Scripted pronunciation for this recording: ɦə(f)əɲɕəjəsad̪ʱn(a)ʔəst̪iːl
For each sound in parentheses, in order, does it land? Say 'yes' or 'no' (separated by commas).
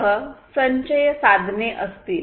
no, no